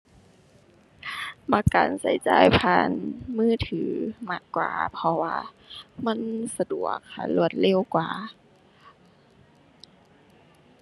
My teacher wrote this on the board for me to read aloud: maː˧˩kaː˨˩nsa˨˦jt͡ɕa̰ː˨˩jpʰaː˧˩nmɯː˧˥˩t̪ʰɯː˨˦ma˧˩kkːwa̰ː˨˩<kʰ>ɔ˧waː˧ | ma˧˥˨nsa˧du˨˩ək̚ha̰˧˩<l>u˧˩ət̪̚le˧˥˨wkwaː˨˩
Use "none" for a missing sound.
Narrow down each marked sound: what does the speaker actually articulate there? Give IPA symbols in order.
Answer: pʰ, l

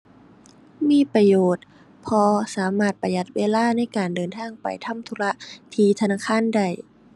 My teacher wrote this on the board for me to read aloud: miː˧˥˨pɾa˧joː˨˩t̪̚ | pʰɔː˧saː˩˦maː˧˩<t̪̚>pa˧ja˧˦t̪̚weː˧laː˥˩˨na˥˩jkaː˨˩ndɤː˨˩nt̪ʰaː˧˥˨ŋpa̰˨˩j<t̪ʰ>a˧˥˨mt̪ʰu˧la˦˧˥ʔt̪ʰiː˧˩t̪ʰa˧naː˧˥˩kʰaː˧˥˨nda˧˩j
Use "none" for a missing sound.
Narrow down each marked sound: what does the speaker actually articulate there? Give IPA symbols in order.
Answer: t̪̚, t̪ʰ

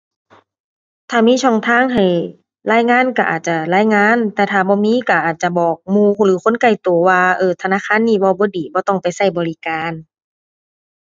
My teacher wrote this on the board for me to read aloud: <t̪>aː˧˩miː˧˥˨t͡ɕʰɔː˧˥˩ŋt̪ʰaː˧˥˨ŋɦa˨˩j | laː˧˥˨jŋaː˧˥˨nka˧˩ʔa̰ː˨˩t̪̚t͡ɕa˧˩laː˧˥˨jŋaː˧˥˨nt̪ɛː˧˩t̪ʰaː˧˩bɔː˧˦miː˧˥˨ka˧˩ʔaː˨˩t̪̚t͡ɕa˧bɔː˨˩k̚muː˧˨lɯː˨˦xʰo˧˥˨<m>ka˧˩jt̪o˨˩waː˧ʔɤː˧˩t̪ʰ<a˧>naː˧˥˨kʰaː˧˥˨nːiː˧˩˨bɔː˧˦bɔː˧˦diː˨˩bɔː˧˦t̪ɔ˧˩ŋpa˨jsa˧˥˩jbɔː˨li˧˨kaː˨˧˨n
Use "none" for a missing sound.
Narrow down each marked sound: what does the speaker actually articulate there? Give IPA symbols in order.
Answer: t̪ʰ, n, a˧

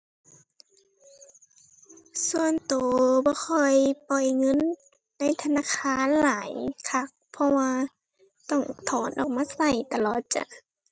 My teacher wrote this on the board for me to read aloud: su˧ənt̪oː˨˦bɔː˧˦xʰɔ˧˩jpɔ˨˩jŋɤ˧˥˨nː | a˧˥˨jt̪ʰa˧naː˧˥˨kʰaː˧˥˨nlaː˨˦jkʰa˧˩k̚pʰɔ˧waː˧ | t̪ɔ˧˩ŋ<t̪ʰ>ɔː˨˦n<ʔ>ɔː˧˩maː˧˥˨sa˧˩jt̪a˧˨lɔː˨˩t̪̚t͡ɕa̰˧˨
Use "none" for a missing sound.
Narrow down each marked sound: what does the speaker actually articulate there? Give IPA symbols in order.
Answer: t̪ʰ, ʔ

